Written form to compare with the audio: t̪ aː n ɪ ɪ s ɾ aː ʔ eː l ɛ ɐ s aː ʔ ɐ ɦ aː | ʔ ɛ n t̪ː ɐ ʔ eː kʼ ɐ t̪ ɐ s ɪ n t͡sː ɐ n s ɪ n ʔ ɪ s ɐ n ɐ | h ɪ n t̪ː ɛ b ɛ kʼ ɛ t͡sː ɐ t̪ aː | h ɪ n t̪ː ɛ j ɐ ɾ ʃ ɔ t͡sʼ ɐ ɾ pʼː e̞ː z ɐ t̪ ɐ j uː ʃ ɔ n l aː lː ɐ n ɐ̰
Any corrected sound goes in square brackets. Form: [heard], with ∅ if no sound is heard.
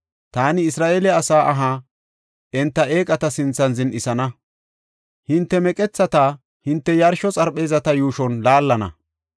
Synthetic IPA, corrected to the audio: t̪ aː n ɪ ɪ s ɾ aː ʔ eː l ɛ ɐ s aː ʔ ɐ ɦ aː | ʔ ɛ n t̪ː ɐ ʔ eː kʼ ɐ t̪ ɐ s ɪ n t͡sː ɐ n [z] ɪ n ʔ ɪ s ɐ n ɐ | h ɪ n t̪ː ɛ [m] ɛ kʼ ɛ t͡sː ɐ t̪ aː | h ɪ n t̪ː ɛ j ɐ ɾ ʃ ɔ t͡sʼ ɐ ɾ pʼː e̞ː z ɐ t̪ ɐ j uː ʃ ɔ n l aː lː ɐ n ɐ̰